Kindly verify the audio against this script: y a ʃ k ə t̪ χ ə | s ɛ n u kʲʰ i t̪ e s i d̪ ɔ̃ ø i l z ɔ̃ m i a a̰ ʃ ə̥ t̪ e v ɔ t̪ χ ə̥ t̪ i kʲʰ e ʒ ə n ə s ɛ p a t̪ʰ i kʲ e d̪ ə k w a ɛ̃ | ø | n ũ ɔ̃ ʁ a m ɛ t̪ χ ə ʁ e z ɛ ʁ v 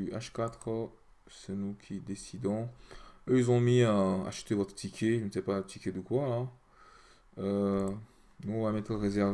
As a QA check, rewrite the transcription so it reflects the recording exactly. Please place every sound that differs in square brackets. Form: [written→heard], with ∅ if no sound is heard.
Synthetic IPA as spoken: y a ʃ k [ə→a] t̪ χ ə | s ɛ n u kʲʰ i [t̪→d̪] e s i d̪ ɔ̃ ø i l z ɔ̃ m i a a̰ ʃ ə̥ t̪ e v ɔ t̪ χ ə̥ t̪ i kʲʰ e ʒ ə n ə s ɛ p a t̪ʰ i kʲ e d̪ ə k w a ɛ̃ | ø | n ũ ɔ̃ [ʁ→v] a m ɛ t̪ χ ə ʁ e z ɛ ʁ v